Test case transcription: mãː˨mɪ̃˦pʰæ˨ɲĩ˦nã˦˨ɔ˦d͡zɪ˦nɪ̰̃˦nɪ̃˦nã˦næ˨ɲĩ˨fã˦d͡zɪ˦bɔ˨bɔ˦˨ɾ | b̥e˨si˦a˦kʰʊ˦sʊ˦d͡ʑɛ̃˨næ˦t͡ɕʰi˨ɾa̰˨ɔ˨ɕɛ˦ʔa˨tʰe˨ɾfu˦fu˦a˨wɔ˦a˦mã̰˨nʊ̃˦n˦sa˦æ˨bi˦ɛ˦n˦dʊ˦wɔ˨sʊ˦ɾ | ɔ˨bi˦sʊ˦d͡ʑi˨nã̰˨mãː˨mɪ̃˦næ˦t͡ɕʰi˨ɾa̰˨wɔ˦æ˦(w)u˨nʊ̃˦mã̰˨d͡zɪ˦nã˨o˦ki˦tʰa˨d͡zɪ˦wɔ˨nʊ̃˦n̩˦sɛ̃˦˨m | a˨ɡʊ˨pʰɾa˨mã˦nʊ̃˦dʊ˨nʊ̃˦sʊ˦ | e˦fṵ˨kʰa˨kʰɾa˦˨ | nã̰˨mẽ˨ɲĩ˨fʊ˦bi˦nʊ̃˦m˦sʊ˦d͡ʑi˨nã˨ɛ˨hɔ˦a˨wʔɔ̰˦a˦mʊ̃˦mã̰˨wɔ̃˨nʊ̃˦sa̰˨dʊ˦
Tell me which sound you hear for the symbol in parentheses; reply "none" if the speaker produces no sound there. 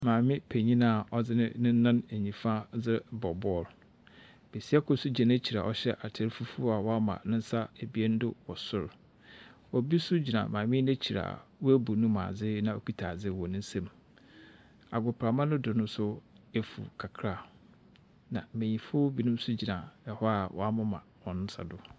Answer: b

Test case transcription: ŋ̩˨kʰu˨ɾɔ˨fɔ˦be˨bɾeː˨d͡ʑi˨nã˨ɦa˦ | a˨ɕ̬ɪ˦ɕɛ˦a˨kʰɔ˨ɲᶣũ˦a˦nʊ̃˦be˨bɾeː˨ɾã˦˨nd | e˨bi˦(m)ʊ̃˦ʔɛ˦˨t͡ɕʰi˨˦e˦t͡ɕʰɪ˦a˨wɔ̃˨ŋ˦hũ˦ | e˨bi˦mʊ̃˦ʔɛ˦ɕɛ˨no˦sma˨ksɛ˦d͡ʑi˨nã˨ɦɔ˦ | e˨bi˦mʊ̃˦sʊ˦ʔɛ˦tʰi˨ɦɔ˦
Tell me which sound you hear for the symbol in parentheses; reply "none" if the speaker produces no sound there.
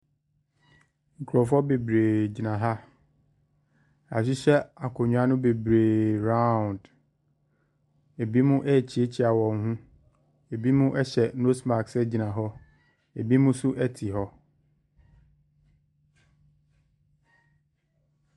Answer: m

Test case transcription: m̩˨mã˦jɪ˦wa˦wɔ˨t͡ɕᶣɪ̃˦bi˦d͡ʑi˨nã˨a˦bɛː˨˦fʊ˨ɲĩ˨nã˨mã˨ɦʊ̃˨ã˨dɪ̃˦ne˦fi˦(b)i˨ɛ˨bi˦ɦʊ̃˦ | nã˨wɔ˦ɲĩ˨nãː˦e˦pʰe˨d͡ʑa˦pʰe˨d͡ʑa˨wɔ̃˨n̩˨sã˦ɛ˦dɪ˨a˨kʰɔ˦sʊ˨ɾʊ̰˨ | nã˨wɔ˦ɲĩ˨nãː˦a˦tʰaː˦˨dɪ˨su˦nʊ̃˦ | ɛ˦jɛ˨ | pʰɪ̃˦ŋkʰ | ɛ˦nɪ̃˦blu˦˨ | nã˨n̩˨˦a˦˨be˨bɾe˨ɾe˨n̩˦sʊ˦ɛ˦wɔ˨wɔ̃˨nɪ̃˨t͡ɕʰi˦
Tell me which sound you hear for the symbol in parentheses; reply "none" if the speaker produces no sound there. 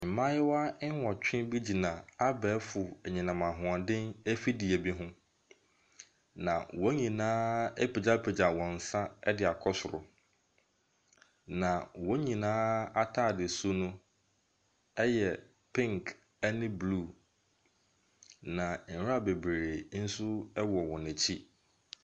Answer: d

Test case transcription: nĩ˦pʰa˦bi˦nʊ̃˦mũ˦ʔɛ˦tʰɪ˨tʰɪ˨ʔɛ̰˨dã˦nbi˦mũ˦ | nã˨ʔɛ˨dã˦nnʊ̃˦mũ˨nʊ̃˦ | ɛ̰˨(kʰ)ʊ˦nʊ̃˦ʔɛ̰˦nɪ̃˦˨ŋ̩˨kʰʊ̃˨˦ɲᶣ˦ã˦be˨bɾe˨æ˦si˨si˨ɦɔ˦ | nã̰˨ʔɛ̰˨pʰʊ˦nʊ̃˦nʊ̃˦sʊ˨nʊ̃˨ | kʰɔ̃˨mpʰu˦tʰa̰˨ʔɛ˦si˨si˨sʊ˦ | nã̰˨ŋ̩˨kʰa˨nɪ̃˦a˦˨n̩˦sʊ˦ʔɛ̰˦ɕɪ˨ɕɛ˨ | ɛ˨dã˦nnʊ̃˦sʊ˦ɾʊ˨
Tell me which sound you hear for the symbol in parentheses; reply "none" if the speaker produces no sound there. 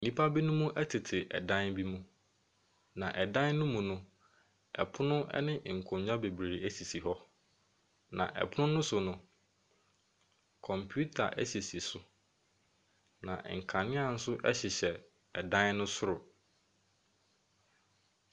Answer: pʰ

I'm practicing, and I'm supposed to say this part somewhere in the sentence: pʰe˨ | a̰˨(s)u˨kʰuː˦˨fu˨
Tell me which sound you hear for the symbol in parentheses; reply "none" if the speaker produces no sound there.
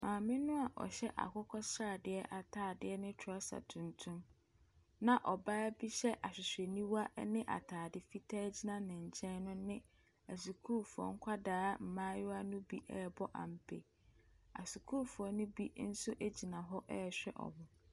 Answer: s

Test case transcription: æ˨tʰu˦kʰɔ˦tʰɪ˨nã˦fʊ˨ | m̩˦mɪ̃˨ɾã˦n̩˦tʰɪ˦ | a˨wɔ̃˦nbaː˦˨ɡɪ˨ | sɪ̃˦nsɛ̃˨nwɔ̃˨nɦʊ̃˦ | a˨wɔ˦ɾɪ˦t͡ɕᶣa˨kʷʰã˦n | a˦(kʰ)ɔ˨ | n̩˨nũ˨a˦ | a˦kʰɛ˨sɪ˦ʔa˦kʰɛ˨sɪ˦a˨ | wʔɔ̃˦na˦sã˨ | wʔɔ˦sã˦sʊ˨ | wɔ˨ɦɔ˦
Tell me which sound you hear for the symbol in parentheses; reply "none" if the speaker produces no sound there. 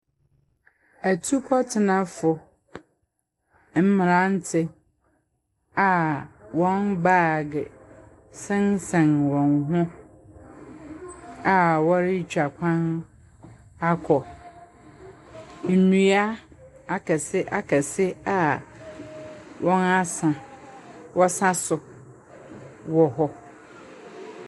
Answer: kʰ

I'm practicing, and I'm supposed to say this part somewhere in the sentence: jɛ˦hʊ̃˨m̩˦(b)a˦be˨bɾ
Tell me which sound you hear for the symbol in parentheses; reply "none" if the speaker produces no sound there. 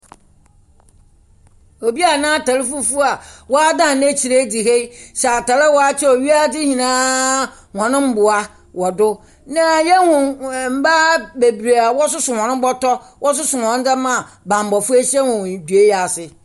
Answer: b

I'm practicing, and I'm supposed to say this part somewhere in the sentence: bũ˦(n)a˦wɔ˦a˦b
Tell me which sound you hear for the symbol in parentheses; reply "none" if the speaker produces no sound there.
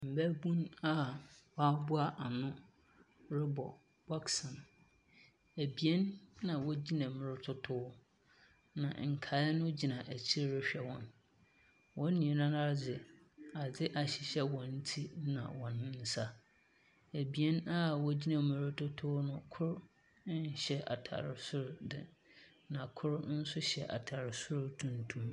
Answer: n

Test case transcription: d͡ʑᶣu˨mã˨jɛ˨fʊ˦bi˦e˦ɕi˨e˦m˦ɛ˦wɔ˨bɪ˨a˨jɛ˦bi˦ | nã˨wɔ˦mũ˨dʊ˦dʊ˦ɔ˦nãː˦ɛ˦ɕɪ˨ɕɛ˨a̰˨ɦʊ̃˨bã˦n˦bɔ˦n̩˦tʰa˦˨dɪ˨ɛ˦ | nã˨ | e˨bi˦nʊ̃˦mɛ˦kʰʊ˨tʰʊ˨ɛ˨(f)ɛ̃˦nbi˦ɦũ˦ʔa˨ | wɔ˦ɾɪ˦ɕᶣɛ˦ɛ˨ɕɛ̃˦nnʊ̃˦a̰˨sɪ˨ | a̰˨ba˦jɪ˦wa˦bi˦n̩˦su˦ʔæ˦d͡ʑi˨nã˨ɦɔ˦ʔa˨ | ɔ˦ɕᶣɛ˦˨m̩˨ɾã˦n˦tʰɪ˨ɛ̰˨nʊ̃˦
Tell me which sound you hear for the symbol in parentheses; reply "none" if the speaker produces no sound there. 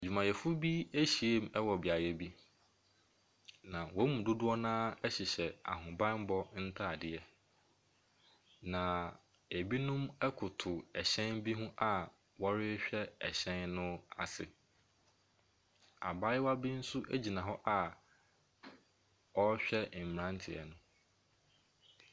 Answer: ɕ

